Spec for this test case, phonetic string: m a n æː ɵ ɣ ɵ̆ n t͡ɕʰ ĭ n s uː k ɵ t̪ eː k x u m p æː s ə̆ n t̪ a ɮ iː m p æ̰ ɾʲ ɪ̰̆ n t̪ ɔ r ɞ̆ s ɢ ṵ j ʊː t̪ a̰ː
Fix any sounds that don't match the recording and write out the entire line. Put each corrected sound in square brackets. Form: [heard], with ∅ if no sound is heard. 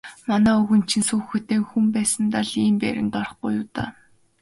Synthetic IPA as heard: m a n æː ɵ ɣ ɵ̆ n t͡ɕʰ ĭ n s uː [x] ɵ t̪ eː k x u m p æː s ə̆ n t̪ a ɮ iː m p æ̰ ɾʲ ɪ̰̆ n t̪ ɔ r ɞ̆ [χ] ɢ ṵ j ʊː t̪ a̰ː